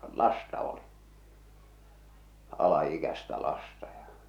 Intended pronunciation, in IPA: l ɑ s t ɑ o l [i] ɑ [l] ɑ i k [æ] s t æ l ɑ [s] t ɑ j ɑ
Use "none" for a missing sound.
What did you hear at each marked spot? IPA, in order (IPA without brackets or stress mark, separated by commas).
i, l, æ, s